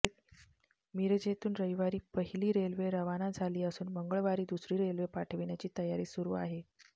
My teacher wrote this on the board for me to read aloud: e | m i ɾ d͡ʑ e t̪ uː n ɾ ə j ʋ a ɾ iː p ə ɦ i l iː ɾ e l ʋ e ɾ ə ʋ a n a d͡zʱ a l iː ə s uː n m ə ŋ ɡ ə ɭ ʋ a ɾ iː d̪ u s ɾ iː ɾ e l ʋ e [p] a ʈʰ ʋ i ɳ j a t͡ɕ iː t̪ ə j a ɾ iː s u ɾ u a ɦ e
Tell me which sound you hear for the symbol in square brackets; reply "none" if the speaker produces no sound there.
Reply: p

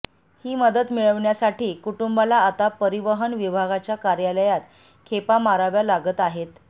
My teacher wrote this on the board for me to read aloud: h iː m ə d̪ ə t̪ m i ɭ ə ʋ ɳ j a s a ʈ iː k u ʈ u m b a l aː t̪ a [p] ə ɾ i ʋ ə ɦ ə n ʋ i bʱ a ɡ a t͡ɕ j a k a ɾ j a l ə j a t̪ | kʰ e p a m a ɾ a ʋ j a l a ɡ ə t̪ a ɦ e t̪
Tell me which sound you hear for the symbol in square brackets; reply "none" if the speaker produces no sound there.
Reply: p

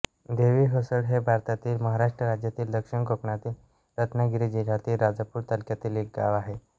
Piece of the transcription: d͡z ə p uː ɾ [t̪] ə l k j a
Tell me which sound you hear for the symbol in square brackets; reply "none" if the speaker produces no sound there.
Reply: t̪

